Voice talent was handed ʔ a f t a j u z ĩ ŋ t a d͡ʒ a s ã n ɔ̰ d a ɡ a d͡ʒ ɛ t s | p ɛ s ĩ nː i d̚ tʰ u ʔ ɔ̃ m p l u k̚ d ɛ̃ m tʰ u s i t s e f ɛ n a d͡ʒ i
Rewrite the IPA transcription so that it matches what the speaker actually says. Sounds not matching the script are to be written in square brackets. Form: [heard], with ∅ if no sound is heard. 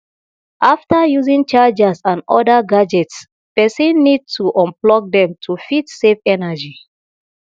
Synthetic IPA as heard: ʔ a f t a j u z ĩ ŋ [t͡ʃ] a d͡ʒ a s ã n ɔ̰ d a ɡ a d͡ʒ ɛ t s | p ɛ s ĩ nː i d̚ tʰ u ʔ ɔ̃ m p l [ɔ] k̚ d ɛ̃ m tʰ u [f] i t s e f ɛ n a d͡ʒ i